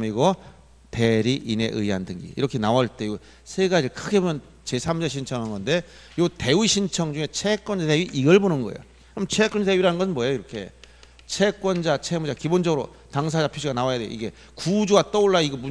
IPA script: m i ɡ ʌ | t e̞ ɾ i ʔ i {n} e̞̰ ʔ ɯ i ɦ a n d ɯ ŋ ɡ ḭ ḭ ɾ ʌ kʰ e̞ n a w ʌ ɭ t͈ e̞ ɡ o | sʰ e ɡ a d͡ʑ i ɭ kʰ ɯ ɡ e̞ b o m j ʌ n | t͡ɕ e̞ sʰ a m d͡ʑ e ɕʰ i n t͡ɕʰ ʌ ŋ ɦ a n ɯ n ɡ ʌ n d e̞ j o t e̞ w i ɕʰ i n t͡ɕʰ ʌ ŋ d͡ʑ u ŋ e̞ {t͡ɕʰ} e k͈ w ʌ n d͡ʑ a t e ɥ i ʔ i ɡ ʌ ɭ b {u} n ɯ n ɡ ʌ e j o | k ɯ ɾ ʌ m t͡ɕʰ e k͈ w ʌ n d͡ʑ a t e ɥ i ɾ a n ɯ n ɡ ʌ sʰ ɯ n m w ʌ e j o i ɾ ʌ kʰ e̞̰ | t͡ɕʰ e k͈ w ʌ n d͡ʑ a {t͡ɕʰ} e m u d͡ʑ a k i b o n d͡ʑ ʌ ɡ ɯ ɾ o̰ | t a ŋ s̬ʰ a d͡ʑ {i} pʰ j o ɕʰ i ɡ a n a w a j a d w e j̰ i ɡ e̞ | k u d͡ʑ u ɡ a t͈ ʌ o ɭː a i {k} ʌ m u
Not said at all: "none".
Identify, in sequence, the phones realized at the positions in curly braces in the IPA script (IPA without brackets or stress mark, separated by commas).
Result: n, t͡ɕʰ, o, t͡ɕʰ, a, ɡ